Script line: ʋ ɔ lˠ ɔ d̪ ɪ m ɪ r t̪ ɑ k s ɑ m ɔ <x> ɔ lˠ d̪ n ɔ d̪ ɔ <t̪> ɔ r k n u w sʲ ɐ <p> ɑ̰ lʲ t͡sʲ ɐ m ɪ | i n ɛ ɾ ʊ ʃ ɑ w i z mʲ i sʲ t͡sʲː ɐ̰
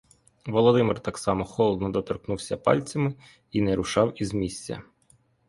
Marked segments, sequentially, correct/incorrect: correct, correct, correct

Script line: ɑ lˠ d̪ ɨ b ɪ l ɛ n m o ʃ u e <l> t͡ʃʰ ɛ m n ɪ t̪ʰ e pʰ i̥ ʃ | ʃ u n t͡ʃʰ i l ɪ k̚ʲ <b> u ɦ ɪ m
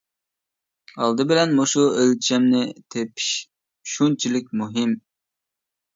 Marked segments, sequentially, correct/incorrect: correct, incorrect: m

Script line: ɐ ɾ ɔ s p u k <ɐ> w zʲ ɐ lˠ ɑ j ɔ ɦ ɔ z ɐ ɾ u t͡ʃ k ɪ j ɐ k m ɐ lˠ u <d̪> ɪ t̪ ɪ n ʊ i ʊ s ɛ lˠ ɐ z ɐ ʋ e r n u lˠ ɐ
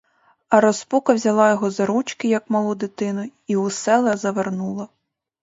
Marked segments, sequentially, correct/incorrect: correct, correct

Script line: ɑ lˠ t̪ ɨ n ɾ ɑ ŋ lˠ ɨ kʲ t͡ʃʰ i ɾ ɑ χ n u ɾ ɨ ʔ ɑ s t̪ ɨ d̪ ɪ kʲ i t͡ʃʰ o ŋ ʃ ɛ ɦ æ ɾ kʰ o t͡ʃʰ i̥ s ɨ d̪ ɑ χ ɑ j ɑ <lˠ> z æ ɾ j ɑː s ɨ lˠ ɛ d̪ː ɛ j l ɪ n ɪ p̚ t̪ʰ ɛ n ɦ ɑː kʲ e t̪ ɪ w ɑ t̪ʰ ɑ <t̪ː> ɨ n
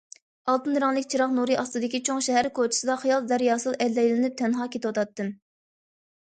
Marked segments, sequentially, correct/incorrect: correct, correct

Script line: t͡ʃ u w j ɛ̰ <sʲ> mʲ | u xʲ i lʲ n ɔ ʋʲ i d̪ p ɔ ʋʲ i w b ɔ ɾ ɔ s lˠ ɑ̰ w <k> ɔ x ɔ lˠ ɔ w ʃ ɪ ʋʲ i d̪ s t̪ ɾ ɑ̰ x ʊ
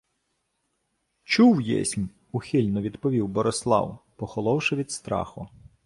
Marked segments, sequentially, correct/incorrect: correct, incorrect: p

